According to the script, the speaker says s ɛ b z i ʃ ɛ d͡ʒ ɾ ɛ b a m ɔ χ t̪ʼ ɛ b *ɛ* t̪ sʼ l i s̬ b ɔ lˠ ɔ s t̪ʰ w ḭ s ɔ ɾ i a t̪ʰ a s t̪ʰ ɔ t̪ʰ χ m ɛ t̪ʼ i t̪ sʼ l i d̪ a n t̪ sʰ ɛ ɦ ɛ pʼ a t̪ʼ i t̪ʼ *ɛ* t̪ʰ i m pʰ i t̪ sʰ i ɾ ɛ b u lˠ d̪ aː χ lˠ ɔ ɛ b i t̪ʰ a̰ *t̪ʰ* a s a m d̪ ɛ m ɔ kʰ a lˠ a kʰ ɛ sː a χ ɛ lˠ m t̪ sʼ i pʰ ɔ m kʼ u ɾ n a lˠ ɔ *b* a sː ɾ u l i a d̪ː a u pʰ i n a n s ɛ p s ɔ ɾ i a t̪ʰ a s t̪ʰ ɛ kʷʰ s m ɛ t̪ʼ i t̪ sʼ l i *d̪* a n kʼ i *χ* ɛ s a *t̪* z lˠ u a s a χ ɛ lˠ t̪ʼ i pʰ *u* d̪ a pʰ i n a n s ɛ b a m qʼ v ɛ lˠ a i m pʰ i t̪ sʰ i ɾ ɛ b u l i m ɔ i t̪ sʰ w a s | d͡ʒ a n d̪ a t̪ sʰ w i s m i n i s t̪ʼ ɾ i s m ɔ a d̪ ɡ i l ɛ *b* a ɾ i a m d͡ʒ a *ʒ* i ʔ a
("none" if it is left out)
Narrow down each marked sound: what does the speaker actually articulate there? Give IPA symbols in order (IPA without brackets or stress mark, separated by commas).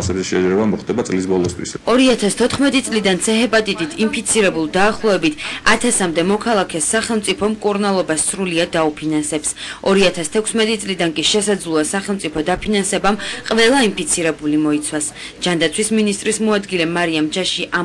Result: a, i, t̪ʰ, b, d̪, ʃ, d̪, ɔ, m, ʃ